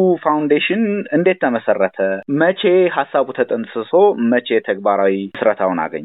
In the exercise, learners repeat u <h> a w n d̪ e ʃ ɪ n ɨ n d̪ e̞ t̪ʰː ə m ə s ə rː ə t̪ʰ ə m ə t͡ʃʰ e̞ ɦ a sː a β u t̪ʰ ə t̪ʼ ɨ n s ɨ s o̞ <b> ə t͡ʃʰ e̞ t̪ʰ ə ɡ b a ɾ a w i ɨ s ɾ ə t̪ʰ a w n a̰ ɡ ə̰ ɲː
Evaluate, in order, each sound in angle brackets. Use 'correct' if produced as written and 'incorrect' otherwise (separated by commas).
incorrect, incorrect